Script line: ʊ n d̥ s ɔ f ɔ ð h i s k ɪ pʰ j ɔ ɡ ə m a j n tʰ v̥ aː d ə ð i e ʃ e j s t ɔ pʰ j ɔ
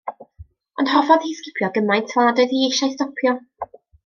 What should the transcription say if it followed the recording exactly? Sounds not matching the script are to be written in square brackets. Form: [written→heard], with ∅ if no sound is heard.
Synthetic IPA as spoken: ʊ n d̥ [s→h] ɔ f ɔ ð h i s k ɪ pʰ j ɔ ɡ ə m a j n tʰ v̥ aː d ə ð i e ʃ [e→a] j s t ɔ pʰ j ɔ